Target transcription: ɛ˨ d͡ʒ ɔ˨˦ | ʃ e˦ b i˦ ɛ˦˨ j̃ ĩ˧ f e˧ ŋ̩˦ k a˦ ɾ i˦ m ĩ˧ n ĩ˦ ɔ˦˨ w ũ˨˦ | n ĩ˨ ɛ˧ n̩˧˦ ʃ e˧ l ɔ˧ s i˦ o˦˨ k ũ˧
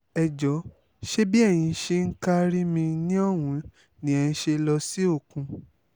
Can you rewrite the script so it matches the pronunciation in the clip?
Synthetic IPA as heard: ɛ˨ d͡ʒ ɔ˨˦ | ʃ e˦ b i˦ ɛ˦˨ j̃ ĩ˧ ʃ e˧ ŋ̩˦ k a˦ ɾ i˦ m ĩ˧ n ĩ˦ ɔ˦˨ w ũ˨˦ | n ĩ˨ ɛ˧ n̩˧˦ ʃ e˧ l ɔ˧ s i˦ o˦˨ k ũ˧

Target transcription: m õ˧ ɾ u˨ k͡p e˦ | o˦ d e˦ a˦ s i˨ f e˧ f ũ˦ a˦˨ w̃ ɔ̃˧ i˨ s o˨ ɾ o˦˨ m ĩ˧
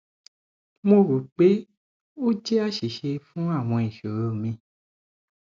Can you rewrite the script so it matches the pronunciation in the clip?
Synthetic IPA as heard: m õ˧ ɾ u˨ k͡p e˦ | o˦ d͡ʒ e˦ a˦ ʃ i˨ ʃ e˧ f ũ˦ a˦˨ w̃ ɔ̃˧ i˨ ʃ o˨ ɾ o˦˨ m ĩ˧

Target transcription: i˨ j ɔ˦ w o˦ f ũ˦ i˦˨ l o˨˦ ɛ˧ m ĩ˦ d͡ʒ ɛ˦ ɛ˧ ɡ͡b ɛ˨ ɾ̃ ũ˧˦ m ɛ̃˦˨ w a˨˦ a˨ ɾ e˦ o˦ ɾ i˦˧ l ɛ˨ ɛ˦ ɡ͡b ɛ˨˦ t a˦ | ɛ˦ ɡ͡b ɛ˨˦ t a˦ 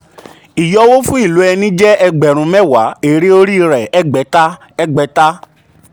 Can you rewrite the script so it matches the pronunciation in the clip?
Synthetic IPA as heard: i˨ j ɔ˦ w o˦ f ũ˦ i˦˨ l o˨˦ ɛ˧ n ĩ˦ d͡ʒ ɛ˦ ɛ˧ ɡ͡b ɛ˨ ɾ̃ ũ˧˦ m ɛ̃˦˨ w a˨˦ e˨ ɾ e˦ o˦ ɾ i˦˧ ɾ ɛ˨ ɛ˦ ɡ͡b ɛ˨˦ t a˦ | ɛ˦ ɡ͡b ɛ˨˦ t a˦

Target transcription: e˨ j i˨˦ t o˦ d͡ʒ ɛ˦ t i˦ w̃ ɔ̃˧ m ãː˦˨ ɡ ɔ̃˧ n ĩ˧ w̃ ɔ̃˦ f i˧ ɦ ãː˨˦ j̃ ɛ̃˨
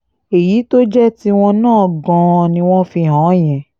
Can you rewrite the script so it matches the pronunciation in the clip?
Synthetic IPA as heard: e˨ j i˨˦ t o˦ d͡ʒ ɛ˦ t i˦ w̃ ɔ̃˧ n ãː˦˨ ɡ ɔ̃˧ n ĩ˧ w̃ ɔ̃˦ f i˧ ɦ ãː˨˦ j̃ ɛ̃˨

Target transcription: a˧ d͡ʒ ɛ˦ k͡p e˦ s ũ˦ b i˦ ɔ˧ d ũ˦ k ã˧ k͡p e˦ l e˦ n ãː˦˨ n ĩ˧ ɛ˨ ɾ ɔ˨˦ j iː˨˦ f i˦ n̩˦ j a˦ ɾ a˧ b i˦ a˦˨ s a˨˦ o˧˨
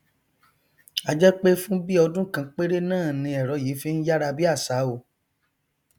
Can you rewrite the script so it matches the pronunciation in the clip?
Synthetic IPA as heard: a˧ d͡ʒ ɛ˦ k͡p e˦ f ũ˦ b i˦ ɔ˧ d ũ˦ k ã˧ k͡p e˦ ɾ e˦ n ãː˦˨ n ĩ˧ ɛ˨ ɾ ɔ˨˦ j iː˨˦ f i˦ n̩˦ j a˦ ɾ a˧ b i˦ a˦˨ s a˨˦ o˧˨

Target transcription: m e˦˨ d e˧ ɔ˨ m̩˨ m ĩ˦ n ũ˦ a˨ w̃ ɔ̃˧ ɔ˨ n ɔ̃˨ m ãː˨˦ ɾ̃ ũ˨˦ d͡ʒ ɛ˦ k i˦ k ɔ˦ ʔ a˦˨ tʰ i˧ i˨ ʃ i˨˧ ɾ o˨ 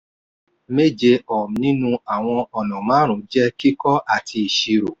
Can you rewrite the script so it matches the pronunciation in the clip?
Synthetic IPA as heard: m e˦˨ d͡ʒ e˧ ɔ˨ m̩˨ n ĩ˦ n ũ˦ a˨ w̃ ɔ̃˧ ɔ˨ n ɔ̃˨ m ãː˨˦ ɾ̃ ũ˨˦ d͡ʒ ɛ˦ k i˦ k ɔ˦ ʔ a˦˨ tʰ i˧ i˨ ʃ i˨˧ ɾ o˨

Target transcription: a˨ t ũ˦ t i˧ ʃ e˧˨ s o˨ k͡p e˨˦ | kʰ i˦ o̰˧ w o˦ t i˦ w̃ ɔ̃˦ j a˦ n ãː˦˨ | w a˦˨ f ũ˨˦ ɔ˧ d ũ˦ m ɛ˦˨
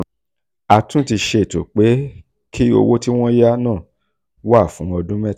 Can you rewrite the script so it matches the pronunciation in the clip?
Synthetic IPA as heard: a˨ t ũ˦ t i˧ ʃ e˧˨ t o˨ k͡p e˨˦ | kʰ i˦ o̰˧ w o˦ t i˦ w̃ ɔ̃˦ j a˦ n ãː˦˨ | w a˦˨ f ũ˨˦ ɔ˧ d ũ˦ m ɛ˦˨

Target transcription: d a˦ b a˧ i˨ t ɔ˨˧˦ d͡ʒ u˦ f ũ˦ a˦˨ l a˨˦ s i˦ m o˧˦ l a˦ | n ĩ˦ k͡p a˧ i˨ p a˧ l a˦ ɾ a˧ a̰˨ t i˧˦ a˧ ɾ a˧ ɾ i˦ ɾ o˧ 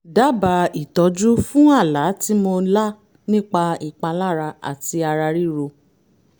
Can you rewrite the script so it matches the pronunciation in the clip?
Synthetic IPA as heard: d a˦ b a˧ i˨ t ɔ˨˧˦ d͡ʒ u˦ f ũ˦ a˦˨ l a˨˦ t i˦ m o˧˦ l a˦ | n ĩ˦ k͡p a˧ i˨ k͡p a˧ l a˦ ɾ a˧ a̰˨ t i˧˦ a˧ ɾ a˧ ɾ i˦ ɾ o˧

